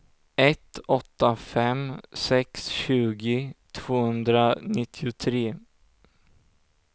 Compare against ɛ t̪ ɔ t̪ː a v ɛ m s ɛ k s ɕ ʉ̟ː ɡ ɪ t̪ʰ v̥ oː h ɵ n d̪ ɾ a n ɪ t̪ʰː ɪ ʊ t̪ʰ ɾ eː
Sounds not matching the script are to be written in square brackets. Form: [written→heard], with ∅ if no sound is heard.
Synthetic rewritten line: ɛ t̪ ɔ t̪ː a [v→f] ɛ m s ɛ k s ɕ ʉ̟ː ɡ ɪ t̪ʰ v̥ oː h ɵ n d̪ ɾ a n ɪ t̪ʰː ɪ ʊ t̪ʰ ɾ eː

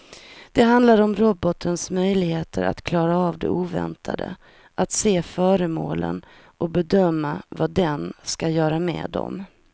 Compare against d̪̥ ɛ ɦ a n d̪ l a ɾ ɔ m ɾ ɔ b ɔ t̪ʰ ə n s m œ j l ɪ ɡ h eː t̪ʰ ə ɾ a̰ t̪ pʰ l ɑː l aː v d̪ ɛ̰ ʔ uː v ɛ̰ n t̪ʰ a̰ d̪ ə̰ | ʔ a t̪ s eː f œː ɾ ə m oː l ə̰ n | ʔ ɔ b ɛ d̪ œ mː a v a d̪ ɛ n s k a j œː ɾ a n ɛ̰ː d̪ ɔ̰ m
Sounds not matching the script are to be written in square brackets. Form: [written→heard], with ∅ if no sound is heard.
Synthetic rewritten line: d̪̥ ɛ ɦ a n d̪ l a ɾ ɔ m ɾ ɔ b ɔ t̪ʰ ə n s m œ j l ɪ ɡ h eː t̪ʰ ə ɾ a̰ t̪ [pʰ→kʰ] l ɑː [l→ɾ] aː v d̪ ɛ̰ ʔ uː v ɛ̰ n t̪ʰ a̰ d̪ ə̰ | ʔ a t̪ s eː f œː ɾ ə m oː l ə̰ n | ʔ ɔ b ɛ d̪ œ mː a v a d̪ ɛ n s k a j œː ɾ a [n→m] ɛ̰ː d̪ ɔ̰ m

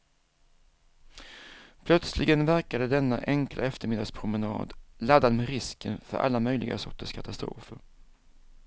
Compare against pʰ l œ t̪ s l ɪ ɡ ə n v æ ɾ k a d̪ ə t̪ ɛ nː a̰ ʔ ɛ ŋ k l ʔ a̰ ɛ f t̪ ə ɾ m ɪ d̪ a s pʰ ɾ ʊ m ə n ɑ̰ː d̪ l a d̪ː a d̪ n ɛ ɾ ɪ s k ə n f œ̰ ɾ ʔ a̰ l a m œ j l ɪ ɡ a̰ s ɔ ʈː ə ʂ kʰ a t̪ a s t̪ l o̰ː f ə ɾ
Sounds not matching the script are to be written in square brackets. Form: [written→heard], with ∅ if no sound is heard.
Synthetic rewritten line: pʰ l œ t̪ s l ɪ ɡ ə n v æ ɾ k a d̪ ə [t̪→d̪] ɛ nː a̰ ʔ ɛ ŋ k l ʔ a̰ ɛ f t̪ ə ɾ m ɪ d̪ a s pʰ ɾ ʊ m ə n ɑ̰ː d̪ l a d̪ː a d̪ [n→m] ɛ ɾ ɪ s k ə n f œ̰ ɾ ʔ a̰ [l→lː] a m œ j l ɪ ɡ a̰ s ɔ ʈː ə ʂ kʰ a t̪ a s t̪ [l→ɾ] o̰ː f ə ɾ

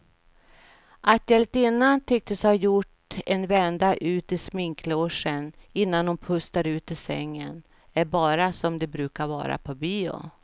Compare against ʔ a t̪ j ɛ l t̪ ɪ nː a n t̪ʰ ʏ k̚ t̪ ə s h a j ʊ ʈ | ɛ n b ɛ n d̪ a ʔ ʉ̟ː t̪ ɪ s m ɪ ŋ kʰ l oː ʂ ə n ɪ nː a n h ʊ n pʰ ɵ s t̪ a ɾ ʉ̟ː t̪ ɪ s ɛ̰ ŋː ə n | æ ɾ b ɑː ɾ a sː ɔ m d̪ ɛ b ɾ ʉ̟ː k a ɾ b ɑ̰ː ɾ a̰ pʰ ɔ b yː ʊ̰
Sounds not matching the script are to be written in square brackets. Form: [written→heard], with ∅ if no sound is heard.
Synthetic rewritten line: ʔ a t̪ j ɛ l t̪ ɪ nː a n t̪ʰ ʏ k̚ t̪ ə s h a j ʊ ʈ | ɛ n [b→v] ɛ n d̪ a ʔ ʉ̟ː t̪ ɪ s m ɪ ŋ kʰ l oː ʂ ə n ɪ nː a n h ʊ n pʰ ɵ s t̪ a ɾ ʉ̟ː t̪ ɪ s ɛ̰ ŋː ə n | æ ɾ b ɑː ɾ a [sː→s] ɔ m d̪ ɛ b ɾ ʉ̟ː k a ɾ [b→v] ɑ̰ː ɾ a̰ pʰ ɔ b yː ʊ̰

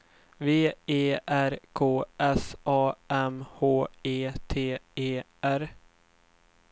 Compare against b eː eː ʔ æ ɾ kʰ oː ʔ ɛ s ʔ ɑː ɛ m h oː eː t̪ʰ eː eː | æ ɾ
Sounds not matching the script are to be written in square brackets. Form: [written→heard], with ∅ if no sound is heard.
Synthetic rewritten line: [b→v] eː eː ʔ æ ɾ kʰ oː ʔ ɛ s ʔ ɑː ɛ m h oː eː t̪ʰ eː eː | æ ɾ

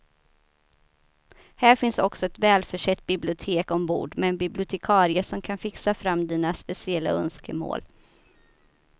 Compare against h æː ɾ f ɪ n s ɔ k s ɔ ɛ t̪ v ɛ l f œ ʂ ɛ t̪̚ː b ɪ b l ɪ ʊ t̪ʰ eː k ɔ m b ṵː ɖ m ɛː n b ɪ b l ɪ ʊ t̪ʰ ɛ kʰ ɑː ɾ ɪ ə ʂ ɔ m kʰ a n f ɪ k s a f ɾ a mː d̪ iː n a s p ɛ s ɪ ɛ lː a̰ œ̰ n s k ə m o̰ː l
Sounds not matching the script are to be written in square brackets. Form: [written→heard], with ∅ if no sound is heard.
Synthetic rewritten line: h æː ɾ f ɪ n s ɔ k s ɔ ɛ t̪ v [ɛ→ɛː] l f œ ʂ ɛ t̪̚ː b ɪ b l ɪ ʊ t̪ʰ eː k ɔ m b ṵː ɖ m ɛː n b ɪ b l ɪ ʊ t̪ʰ ɛ kʰ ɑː ɾ ɪ ə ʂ ɔ m kʰ a n f ɪ k s a f ɾ a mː d̪ iː n a s p ɛ s ɪ ɛ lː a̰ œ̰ n s k ə m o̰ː l

